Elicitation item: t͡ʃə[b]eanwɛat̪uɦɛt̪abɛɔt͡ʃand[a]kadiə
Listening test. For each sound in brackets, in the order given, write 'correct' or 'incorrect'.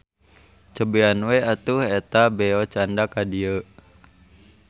correct, correct

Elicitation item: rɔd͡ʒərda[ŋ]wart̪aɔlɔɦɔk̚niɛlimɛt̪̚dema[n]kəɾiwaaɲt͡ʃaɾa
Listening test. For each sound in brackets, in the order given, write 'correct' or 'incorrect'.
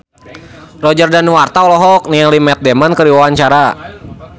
incorrect, correct

